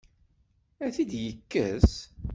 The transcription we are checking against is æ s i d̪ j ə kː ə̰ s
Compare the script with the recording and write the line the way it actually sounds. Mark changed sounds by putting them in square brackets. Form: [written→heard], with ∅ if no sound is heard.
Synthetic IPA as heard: æ [s→θ] i d̪ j ə kː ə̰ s